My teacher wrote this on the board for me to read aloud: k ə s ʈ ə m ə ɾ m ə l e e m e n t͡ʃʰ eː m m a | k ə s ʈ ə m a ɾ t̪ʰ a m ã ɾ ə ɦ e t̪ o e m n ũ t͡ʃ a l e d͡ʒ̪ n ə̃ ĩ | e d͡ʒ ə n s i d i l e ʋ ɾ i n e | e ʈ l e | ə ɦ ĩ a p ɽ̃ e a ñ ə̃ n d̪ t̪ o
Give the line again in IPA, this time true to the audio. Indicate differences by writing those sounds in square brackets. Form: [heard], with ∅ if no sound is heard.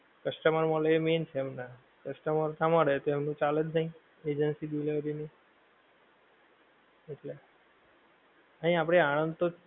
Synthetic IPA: k ə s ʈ ə m ə ɾ m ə l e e m e n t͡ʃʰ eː m [n] a | k ə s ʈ ə m [ə] ɾ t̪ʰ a m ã ɾ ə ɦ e t̪ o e m n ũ t͡ʃ a l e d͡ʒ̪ n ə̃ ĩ | e d͡ʒ ə n s i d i l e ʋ ɾ i n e | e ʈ l e | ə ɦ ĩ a p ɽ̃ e a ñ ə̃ n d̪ t̪ o

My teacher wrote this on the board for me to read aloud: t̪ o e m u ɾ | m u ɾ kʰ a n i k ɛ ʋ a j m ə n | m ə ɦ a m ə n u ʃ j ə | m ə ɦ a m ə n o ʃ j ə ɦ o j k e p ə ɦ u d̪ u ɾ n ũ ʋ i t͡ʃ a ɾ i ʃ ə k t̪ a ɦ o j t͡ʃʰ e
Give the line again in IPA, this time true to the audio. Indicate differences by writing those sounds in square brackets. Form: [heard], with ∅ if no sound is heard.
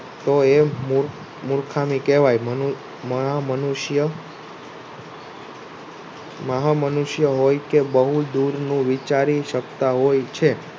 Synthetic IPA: t̪ o e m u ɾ | m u ɾ kʰ a [m] i k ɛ ʋ a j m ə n | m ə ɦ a m ə n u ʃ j ə | m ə ɦ a m ə n [u] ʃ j ə ɦ o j k e [b] ə ɦ u d̪ u ɾ n ũ ʋ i t͡ʃ a ɾ i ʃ ə k t̪ a ɦ o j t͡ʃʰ e

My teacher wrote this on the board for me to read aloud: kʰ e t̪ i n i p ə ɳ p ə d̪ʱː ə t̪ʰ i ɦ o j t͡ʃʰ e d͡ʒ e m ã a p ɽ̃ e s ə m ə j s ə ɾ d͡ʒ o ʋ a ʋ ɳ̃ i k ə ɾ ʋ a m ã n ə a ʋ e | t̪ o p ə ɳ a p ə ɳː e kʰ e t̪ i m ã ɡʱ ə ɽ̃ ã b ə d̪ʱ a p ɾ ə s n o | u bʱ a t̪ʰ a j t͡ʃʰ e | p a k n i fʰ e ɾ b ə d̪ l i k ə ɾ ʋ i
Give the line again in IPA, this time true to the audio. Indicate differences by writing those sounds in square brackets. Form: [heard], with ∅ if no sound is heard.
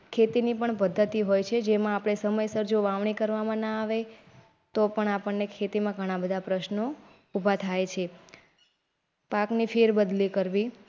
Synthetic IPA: kʰ e t̪ i n i p ə ɳ p ə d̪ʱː ə [t̪] i ɦ o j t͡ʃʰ e d͡ʒ e m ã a p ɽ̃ e s ə m ə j s ə ɾ d͡ʒ o ʋ a ʋ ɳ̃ i k ə ɾ ʋ a m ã n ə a ʋ e | t̪ o p ə ɳ a p ə ɳː e kʰ e t̪ i m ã ɡʱ ə ɽ̃ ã b ə d̪ʱ a p ɾ ə [ʃ] n o | u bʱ a t̪ʰ a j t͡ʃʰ e | p a k n i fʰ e ɾ b ə d̪ l i k ə ɾ ʋ i

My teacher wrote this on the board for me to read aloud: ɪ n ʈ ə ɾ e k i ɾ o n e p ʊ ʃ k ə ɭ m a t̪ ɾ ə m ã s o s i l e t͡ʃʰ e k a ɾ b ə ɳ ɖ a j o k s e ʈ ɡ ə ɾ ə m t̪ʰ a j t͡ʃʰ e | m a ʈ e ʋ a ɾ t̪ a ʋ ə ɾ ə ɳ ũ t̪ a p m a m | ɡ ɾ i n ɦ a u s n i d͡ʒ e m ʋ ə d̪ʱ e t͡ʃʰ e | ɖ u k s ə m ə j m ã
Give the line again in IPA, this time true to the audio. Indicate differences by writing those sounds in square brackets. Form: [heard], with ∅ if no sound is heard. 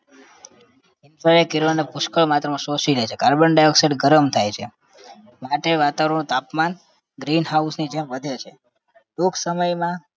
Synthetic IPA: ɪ n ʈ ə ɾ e k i ɾ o n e p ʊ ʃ k ə ɭ m a t̪ ɾ ə m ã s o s i l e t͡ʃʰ e k a ɾ b ə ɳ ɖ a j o k s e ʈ ɡ ə ɾ ə m t̪ʰ a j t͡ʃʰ e | m a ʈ e ʋ a [∅] t̪ a ʋ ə ɾ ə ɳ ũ t̪ a p m a [n] | ɡ ɾ i n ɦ a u s n i d͡ʒ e m ʋ ə d̪ʱ e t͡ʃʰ e | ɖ u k s ə m ə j m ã

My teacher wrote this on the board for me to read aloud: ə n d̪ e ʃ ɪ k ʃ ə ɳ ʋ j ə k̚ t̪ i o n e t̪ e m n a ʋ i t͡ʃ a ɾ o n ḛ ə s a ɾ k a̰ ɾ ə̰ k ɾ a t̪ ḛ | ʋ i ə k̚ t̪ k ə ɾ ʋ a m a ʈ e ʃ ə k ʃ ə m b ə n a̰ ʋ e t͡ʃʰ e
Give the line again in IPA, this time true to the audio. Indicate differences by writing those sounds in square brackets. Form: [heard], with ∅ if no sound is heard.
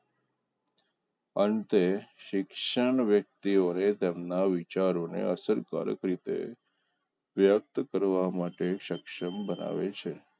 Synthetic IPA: ə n [t̪] e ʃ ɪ k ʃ ə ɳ ʋ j ə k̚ t̪ i o n e t̪ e m n a ʋ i t͡ʃ a ɾ o n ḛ ə s [ə] ɾ k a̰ ɾ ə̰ k ɾ [i] t̪ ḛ | ʋ [j] ə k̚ t̪ k ə ɾ ʋ a m a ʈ e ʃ ə k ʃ ə m b ə n a̰ ʋ e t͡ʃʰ e

